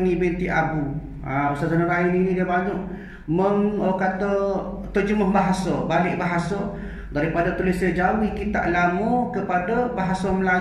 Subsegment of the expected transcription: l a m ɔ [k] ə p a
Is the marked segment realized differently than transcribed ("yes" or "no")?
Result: no